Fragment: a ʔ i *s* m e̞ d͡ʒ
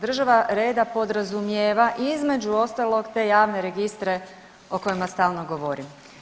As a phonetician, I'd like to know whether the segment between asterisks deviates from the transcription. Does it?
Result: yes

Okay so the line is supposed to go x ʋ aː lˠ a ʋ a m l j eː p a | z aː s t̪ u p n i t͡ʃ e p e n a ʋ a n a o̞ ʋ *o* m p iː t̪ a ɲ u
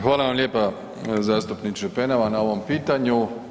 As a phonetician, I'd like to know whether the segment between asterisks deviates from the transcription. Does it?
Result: no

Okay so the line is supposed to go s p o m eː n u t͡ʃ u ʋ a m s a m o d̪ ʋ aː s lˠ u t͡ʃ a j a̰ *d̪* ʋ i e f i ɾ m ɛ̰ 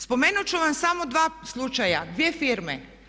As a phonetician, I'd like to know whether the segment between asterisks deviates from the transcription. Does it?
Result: no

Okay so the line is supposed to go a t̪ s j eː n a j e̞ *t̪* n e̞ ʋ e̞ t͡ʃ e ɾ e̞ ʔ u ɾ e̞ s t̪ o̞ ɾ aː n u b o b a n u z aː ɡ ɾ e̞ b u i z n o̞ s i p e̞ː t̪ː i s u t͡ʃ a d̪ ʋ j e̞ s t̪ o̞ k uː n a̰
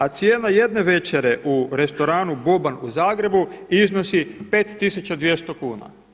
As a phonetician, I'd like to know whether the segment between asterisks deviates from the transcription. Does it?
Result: yes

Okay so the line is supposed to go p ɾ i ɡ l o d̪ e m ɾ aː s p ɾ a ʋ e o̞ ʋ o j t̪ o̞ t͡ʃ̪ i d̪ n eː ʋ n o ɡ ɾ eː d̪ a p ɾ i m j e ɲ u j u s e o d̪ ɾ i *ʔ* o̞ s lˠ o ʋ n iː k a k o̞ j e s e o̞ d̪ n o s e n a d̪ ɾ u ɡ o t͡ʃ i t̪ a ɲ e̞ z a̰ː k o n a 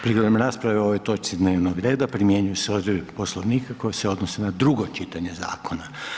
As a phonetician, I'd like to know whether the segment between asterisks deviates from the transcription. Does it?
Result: yes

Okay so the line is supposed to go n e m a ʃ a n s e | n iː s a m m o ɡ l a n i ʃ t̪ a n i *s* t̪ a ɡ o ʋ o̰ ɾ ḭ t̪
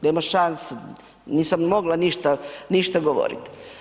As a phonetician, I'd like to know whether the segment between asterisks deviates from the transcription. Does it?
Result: yes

